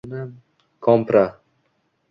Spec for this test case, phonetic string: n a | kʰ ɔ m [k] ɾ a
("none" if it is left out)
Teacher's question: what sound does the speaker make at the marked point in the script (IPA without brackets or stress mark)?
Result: p